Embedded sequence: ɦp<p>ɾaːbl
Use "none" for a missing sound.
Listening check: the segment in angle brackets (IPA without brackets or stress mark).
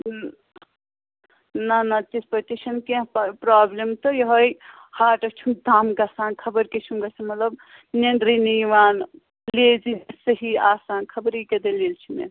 p